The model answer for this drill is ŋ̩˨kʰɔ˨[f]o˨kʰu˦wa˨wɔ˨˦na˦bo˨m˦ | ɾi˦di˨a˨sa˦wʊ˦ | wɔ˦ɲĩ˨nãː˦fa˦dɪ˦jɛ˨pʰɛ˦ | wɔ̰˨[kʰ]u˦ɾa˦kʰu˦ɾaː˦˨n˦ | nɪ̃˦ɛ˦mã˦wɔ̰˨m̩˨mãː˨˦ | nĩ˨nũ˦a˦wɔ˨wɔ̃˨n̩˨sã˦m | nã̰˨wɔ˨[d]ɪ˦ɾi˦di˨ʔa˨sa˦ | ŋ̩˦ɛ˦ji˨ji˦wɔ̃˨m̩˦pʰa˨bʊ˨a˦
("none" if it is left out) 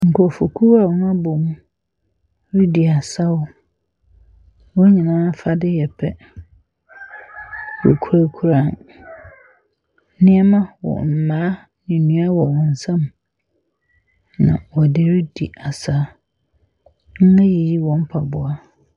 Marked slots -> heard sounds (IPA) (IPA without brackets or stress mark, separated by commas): f, kʰ, d